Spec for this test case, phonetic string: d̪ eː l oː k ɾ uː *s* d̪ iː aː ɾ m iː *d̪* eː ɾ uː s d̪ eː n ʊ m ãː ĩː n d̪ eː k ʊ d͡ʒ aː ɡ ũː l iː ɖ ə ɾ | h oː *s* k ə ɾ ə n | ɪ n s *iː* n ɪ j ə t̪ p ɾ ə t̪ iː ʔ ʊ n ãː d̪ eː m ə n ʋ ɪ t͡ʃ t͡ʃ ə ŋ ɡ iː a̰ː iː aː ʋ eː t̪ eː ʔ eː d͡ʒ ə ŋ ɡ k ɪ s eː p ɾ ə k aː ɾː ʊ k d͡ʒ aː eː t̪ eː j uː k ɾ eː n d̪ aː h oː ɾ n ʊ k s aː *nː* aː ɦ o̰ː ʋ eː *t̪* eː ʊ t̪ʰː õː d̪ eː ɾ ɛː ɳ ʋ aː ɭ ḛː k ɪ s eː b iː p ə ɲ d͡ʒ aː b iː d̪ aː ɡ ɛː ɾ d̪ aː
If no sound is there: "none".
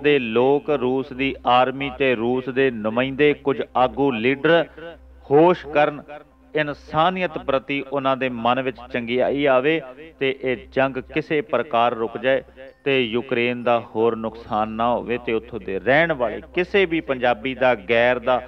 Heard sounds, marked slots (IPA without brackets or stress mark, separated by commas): s, t̪, ʃ, aː, nː, t̪